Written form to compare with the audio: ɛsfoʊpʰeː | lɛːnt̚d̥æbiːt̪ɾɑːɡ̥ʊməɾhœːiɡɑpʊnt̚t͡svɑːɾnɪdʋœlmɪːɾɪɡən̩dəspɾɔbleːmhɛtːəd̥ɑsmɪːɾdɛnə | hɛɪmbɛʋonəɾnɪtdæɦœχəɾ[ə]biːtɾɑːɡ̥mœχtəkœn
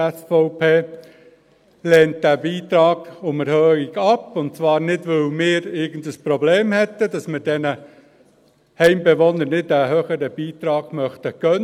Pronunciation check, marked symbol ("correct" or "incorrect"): correct